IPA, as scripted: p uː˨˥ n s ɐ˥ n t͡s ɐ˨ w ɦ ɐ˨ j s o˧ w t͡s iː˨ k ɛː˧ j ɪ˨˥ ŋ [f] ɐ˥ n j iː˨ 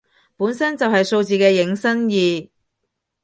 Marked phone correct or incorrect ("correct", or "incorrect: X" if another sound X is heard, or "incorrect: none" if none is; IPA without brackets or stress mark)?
incorrect: s